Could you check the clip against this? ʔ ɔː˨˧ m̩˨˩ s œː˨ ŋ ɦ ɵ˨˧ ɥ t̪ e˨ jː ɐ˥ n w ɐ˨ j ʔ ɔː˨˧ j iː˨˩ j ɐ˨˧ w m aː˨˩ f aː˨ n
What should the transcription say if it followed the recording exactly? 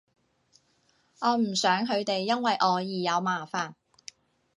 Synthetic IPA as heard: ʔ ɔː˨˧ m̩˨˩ s œː˨˥ ŋ ɦ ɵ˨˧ ɥ t̪ e˨ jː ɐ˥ n w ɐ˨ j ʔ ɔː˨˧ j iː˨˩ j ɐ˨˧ w m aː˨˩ f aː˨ n